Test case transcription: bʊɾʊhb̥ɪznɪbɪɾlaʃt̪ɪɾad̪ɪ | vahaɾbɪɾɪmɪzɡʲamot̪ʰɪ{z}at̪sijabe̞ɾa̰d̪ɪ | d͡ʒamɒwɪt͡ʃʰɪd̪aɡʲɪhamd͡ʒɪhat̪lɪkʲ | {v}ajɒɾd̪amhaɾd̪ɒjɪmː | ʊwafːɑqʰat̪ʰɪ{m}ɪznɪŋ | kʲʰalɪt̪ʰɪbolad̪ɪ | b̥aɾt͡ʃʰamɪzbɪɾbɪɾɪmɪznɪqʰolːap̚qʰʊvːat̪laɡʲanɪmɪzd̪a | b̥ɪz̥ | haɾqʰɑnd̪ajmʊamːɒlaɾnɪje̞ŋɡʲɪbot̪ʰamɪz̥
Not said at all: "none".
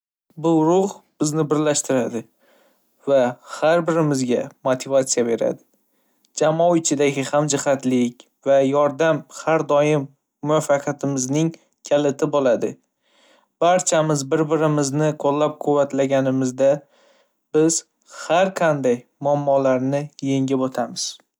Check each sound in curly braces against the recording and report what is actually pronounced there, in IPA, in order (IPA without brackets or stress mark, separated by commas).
v, v, m